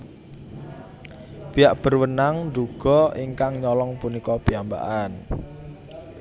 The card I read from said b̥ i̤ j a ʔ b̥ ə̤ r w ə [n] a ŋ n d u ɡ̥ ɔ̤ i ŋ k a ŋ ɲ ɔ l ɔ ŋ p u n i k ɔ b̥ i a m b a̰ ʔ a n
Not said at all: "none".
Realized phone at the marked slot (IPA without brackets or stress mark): n